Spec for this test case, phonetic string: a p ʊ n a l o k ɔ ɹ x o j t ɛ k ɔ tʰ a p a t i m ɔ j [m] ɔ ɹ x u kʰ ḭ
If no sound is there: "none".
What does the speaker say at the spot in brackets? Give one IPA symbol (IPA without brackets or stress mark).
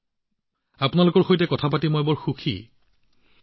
b